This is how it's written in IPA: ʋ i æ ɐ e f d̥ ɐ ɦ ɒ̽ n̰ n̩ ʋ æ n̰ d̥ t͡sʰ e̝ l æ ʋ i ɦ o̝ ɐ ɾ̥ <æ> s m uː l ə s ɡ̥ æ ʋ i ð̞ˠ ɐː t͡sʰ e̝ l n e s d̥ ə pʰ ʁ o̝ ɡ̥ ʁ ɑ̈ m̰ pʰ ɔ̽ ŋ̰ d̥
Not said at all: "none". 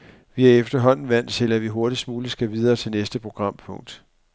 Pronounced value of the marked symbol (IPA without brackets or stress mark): i